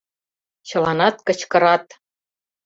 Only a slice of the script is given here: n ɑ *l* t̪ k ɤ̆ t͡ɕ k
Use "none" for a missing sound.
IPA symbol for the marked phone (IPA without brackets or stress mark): none